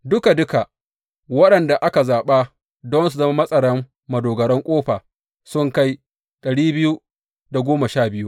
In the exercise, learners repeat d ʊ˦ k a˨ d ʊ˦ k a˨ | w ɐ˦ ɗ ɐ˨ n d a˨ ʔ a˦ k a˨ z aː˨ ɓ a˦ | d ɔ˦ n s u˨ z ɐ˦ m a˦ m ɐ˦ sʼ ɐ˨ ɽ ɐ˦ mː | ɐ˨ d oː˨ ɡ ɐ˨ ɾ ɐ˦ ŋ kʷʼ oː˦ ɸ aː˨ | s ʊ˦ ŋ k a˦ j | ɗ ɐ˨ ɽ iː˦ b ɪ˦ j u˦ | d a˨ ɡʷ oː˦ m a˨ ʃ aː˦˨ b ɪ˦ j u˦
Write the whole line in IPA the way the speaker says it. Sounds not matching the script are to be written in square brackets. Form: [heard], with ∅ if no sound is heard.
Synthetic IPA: d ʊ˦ k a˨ d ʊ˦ k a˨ | w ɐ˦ ɗ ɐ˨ n d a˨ ʔ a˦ k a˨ z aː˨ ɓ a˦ | d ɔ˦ n s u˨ z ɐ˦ m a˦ m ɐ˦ sʼ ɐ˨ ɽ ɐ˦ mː | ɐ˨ d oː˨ ɡ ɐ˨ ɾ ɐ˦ ŋ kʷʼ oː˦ ɸ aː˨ | s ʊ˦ ŋ k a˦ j | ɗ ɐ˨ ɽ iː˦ b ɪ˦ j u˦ | d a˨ ɡʷ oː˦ m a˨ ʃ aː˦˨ b ɪ˦ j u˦